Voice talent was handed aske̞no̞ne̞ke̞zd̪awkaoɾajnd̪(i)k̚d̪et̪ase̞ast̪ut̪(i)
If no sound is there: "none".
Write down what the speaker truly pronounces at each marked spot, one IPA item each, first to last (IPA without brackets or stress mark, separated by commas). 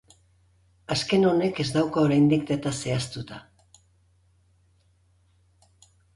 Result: i, a